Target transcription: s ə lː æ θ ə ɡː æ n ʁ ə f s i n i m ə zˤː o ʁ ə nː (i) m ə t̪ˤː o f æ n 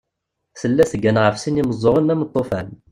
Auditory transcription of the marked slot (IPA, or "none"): æ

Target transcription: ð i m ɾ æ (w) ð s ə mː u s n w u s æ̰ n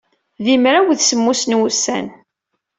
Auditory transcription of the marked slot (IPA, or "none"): w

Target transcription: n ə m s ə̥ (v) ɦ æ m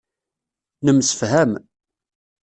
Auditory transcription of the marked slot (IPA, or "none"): f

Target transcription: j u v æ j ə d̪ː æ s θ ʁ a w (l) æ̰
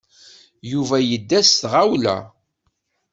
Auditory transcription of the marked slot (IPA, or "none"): l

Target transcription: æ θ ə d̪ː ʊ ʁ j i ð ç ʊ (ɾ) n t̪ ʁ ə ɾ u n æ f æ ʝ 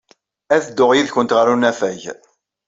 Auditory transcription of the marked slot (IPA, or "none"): none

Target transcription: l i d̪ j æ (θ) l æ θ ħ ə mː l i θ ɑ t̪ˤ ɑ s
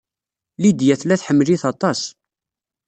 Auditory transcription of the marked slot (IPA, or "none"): θ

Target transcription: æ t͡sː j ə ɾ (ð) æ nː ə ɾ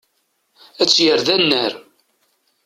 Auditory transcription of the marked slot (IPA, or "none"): ð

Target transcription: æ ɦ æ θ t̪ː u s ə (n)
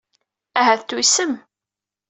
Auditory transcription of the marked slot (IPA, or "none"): m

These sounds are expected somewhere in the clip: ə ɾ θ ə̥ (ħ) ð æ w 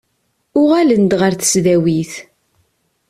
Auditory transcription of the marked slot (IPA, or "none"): s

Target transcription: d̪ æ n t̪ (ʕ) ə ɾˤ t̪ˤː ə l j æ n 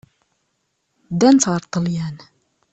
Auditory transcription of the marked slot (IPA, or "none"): ʁ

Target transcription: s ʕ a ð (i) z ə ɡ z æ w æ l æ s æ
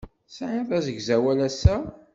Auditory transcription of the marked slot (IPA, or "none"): æ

